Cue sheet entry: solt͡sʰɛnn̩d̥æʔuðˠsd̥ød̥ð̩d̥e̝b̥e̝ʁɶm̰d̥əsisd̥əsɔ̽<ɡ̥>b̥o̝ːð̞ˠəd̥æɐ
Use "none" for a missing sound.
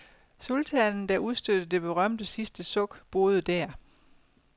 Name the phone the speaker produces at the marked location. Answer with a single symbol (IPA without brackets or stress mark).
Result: ɡ̥